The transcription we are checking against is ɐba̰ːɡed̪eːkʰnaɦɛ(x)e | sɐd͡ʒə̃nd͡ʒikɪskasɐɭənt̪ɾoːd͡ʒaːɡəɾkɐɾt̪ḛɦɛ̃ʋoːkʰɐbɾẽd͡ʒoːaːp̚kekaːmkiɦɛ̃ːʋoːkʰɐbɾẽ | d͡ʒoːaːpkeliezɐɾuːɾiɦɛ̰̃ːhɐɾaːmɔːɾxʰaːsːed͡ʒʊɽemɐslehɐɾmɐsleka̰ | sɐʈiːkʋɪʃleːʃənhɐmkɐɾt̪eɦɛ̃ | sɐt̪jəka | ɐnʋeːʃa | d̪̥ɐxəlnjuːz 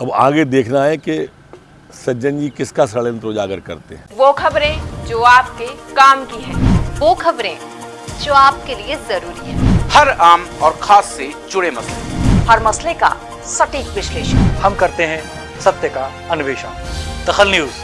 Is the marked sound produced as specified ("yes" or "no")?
no